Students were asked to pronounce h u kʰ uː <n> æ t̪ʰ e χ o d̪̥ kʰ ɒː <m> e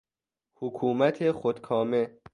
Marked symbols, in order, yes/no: no, yes

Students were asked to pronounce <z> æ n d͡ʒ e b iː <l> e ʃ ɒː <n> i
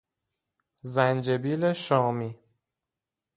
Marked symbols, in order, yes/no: yes, yes, no

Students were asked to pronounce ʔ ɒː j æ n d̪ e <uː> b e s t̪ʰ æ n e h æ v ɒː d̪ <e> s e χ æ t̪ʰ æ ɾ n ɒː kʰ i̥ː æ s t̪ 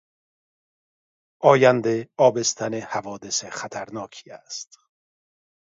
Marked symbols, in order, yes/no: no, yes

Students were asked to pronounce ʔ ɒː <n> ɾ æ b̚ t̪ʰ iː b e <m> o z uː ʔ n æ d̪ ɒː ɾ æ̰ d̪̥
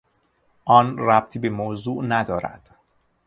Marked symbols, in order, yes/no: yes, yes

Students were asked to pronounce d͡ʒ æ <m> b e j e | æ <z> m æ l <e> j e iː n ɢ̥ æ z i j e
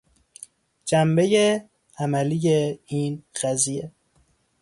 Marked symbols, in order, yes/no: yes, no, no

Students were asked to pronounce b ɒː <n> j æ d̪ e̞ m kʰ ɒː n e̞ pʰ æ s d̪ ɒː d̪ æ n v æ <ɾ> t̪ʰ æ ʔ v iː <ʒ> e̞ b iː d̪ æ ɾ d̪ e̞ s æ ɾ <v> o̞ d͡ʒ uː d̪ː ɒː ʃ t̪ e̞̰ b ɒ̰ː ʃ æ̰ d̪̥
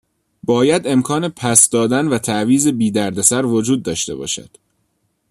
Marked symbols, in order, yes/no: no, no, no, yes

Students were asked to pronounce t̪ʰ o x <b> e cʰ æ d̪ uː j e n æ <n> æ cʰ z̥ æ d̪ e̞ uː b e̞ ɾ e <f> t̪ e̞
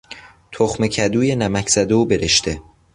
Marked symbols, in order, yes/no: no, no, no

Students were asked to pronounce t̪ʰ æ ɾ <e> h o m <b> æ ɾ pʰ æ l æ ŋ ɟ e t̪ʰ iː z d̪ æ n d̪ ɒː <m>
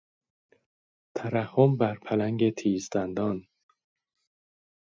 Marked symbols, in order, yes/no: no, yes, no

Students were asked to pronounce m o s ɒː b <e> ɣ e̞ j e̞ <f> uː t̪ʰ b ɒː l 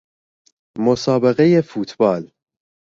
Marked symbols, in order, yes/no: yes, yes

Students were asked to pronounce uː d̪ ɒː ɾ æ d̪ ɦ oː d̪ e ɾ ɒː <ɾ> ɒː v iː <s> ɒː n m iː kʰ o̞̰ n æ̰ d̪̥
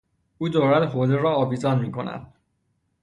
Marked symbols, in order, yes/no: no, no

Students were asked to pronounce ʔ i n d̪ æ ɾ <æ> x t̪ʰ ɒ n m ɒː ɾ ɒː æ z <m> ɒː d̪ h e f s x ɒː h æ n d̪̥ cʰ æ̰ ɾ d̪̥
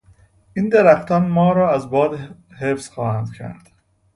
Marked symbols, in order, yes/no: yes, no

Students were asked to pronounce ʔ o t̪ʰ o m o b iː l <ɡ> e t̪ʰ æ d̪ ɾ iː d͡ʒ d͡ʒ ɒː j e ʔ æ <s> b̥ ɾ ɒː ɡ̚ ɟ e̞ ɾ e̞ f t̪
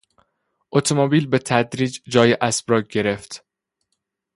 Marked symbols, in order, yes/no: no, yes

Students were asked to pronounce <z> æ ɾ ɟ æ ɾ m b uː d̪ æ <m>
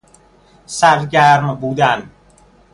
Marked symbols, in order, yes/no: no, no

